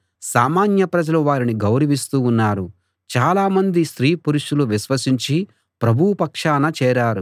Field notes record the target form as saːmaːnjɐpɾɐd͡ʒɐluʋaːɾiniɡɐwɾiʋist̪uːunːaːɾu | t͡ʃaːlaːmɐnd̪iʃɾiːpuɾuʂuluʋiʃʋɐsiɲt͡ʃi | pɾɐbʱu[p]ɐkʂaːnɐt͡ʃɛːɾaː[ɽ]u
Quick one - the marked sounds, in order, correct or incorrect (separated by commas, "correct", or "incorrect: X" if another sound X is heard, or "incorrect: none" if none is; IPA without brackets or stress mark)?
correct, incorrect: ɾ